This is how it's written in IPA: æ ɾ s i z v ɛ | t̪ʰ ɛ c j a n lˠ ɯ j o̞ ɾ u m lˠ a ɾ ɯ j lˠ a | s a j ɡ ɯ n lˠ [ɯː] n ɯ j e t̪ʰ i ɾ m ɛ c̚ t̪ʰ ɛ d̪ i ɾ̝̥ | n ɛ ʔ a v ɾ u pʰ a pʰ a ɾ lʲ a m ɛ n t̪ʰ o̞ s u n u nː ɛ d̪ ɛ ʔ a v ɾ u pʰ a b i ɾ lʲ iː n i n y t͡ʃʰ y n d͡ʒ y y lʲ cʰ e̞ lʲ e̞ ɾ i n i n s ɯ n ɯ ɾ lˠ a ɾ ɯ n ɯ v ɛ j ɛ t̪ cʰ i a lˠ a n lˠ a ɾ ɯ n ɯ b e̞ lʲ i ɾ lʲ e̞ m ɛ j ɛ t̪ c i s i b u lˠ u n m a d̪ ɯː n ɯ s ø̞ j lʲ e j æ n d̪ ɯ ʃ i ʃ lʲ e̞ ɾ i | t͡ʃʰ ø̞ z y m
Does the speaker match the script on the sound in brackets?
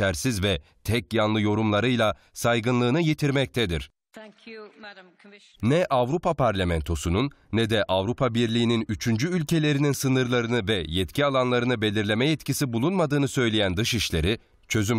yes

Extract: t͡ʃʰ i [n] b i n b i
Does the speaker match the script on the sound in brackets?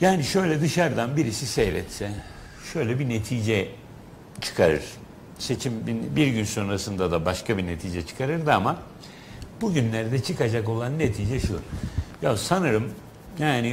no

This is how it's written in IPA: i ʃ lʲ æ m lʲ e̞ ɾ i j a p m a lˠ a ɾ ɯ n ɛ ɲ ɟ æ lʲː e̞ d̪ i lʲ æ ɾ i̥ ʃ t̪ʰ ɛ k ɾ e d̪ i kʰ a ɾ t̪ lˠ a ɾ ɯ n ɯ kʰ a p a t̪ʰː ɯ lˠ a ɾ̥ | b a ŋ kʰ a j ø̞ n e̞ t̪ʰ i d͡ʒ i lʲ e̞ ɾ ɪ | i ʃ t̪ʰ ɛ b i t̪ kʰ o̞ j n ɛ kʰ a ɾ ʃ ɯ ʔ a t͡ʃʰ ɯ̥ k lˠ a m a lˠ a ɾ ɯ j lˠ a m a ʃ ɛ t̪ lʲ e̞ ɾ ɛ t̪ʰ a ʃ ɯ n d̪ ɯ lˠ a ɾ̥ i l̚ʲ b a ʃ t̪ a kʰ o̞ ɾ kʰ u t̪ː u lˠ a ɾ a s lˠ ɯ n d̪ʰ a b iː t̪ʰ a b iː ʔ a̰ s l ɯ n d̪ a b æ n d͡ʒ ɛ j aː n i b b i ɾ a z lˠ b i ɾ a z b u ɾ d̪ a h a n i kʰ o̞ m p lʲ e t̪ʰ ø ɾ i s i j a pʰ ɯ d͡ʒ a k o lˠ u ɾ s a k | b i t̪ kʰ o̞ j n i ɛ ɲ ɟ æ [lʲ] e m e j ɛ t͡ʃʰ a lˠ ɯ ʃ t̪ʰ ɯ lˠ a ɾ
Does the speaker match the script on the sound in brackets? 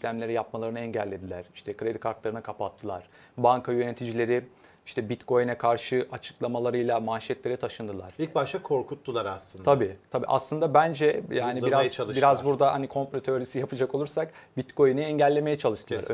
no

